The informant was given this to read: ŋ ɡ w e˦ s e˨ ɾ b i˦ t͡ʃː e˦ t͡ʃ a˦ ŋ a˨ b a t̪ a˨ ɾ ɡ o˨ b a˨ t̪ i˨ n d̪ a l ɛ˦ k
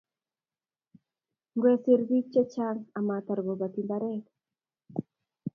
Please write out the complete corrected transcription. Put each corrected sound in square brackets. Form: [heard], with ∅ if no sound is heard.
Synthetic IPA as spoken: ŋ ɡ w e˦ s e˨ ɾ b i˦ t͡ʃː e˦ t͡ʃ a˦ ŋ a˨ [m] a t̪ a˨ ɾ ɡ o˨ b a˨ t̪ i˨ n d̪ a [ɾ] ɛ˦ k